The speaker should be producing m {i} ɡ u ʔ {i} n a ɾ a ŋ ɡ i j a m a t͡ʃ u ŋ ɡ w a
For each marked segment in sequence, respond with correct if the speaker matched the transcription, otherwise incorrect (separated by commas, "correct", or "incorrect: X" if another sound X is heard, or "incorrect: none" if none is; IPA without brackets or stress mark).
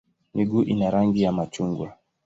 correct, correct